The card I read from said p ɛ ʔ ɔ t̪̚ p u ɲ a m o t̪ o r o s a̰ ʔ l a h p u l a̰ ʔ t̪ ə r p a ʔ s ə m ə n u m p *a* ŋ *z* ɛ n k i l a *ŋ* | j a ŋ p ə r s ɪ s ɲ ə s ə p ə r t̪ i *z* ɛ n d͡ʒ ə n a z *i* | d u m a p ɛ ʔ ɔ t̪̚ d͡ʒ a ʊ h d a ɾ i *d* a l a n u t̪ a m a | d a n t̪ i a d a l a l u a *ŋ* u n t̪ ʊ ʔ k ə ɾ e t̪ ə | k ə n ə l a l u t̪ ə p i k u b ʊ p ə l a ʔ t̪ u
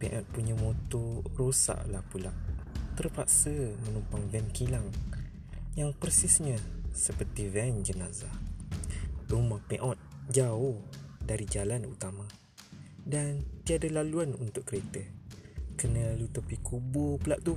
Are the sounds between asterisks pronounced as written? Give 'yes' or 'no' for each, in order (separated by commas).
yes, no, yes, no, no, no, no